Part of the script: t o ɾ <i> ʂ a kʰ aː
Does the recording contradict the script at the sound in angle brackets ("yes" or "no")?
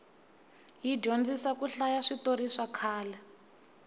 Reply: no